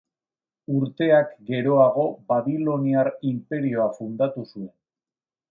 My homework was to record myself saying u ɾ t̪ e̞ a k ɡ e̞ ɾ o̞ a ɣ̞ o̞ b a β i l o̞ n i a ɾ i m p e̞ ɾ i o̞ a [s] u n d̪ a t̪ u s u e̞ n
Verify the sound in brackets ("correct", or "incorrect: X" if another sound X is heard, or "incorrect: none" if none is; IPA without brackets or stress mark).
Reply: incorrect: f